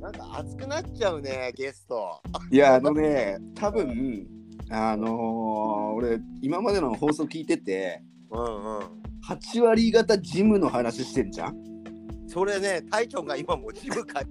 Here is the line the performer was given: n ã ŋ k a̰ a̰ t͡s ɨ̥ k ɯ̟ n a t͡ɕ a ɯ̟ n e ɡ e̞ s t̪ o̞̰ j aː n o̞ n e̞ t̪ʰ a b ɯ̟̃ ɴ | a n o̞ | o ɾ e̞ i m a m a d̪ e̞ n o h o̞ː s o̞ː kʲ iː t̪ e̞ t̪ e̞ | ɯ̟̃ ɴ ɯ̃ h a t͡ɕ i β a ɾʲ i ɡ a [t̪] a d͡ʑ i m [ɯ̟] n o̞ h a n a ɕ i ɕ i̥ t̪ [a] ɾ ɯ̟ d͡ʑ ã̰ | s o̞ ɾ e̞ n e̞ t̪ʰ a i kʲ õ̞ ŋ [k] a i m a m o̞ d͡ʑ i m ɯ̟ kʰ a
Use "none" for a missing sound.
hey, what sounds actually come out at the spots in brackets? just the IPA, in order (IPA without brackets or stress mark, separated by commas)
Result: t̪, ɯ̟, e, ɡ